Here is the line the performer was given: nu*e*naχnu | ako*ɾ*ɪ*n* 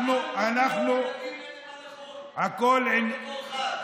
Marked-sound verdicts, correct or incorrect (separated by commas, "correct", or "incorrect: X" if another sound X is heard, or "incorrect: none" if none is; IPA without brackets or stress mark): incorrect: a, incorrect: l, correct